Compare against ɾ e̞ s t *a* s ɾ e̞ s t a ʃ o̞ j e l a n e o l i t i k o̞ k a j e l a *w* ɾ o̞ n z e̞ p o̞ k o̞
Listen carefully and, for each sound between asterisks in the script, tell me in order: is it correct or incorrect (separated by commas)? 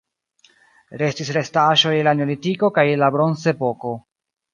incorrect, incorrect